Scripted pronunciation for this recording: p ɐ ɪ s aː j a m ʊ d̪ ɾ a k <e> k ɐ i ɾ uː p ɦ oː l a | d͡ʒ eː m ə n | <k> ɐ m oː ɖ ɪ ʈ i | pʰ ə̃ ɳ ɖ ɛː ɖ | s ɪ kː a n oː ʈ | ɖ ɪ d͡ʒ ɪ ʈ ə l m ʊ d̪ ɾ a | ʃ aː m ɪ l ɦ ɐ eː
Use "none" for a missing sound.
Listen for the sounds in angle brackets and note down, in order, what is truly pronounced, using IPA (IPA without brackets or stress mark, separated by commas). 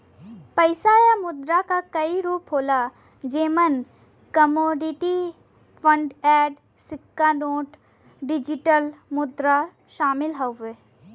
a, k